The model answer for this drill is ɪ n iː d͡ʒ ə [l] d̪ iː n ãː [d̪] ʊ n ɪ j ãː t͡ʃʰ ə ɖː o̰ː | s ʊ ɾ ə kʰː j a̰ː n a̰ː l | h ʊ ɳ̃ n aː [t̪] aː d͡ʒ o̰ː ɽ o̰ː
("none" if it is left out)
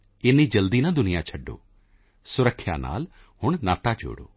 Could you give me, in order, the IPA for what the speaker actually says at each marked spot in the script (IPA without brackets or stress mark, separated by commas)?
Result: l, d̪, t̪